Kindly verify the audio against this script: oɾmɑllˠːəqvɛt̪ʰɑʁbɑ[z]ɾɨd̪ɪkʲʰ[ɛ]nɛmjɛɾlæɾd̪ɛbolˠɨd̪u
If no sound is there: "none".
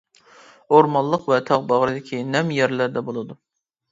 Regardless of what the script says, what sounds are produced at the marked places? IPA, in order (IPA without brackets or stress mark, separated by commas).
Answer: ʁ, i